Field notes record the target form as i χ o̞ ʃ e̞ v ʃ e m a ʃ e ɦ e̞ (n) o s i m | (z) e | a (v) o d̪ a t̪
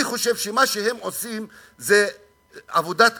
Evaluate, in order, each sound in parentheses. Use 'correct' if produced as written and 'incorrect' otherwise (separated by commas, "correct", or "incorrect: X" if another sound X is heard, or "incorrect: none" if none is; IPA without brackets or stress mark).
incorrect: m, correct, correct